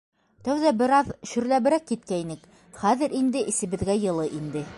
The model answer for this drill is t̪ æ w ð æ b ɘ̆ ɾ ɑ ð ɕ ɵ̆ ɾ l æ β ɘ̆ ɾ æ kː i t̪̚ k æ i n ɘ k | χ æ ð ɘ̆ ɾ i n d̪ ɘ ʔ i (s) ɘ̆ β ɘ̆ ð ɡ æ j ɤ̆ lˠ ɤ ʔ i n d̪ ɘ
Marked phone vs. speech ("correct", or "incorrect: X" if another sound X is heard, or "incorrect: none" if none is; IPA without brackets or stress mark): correct